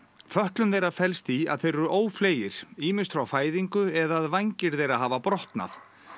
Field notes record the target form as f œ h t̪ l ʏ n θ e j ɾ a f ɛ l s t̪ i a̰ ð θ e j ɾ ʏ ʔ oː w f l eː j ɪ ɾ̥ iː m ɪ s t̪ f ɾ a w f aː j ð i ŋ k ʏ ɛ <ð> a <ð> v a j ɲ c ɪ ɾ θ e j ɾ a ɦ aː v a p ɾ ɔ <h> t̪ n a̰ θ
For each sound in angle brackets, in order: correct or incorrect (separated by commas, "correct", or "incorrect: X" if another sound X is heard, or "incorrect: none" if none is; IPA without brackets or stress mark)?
correct, correct, correct